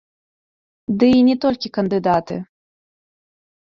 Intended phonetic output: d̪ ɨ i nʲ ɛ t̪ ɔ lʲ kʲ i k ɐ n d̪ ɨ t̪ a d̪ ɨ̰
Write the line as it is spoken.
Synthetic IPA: d̪ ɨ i nʲ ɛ t̪ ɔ lʲ kʲ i k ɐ n d̪ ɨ d̪ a t̪ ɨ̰

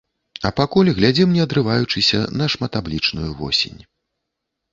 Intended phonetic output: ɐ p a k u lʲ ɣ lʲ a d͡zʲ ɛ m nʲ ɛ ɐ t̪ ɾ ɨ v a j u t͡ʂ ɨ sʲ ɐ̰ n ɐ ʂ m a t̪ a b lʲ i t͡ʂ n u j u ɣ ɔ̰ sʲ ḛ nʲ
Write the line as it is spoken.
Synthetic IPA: ɐ p a k u lʲ ɣ lʲ a d͡zʲ ɛ m nʲ ɛ ɐ d̪ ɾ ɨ v a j u t͡ʂ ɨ sʲ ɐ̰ n ɐ ʂ m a t̪ a b lʲ i t͡ʂ n u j u v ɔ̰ sʲ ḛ nʲ

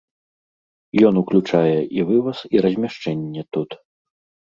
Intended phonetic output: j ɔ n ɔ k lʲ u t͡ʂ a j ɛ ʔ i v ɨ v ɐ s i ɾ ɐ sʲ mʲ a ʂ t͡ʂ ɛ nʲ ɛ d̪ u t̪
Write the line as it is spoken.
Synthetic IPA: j ɔ n u k lʲ u t͡ʂ a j ɛ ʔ i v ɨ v ɐ s i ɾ ɐ zʲ mʲ a ʂ t͡ʂ ɛ nʲː ɛ t̪ u t̪

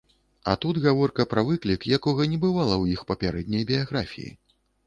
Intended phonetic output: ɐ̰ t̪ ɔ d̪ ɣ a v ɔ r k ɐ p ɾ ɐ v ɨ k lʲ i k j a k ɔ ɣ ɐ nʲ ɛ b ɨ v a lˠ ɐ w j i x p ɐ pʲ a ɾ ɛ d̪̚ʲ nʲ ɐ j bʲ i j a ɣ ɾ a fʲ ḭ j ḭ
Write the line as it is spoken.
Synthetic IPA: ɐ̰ t̪ u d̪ ɣ a v ɔ r k ɐ p ɾ ɐ v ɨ k lʲ i k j a k ɔ ɣ ɐ nʲ ɛ b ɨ v a lˠ ɐ w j i x p ɐ pʲ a ɾ ɛ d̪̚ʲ nʲ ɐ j bʲ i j a ɣ ɾ a fʲ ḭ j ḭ

